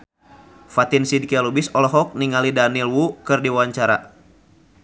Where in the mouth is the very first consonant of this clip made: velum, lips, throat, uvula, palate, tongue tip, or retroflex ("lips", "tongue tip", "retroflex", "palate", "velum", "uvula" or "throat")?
lips